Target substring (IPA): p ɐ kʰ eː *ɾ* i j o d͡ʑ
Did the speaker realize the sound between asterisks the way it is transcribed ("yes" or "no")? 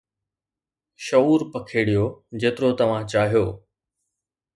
no